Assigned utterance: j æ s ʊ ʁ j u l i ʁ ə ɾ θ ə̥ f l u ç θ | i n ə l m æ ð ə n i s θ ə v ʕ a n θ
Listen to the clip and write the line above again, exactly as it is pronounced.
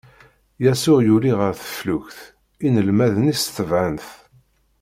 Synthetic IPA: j æ s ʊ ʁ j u l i ʁ ə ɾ θ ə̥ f l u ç θ | i n ə l m æ ð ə n i s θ ə v ʕ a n θ